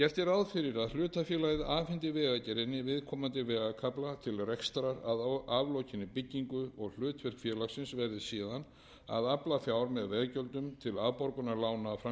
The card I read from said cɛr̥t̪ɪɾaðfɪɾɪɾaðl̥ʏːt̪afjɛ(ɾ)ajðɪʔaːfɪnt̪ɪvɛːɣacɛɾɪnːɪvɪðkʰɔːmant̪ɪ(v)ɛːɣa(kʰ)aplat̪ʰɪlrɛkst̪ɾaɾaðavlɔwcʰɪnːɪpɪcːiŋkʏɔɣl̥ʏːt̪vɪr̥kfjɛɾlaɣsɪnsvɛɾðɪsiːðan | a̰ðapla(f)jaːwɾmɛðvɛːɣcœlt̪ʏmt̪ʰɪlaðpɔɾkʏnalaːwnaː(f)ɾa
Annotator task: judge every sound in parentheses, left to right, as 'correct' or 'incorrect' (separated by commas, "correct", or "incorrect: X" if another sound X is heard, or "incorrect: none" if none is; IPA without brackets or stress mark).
incorrect: l, correct, correct, correct, correct